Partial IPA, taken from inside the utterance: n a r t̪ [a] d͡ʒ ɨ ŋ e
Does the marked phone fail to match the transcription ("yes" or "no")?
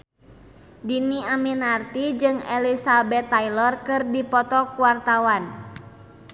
yes